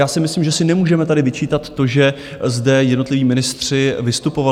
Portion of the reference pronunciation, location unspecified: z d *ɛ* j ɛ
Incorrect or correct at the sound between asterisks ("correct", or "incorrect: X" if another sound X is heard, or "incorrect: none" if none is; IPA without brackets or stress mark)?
correct